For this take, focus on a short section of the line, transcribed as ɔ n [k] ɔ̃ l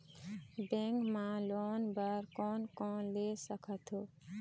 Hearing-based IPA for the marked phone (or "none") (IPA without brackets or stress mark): k